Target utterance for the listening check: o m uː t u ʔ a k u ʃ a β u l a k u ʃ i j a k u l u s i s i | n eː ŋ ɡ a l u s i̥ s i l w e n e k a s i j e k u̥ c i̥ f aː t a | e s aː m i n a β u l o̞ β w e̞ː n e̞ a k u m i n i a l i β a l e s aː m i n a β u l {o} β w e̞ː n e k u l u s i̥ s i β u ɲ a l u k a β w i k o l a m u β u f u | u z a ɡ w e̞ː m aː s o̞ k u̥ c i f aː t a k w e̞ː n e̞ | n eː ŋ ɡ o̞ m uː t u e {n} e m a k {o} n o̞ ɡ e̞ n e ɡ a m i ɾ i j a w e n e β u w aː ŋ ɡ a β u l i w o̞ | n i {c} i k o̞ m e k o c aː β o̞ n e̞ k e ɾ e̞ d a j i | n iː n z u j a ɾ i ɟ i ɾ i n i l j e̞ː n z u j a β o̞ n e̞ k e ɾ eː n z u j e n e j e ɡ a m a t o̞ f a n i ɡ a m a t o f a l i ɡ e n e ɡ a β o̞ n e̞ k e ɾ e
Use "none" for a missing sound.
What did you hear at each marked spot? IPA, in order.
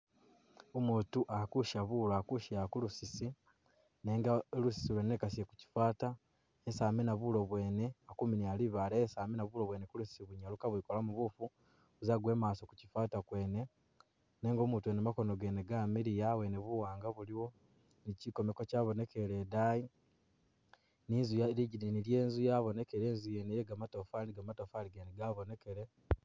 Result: o, n, o, c

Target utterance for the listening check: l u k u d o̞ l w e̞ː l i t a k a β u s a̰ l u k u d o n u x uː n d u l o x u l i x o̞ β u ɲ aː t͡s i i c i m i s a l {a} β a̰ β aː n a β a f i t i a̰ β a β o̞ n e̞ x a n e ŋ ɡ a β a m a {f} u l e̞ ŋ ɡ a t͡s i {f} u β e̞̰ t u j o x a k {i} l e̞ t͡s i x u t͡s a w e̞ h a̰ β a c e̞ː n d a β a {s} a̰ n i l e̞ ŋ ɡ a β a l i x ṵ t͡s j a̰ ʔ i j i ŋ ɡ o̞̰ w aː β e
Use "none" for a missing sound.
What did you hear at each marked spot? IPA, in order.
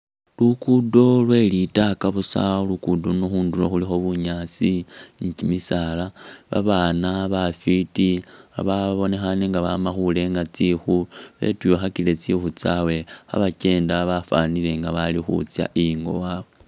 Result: a, x, x, i, f

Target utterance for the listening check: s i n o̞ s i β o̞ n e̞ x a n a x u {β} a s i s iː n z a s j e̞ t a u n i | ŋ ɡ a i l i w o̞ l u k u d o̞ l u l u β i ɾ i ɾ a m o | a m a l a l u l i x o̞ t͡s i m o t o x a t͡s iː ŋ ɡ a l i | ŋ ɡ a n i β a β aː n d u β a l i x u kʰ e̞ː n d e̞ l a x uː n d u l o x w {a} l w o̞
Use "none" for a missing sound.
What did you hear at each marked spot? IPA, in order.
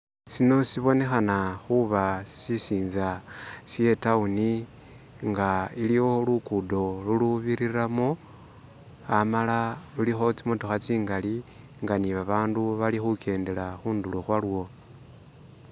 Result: β, a

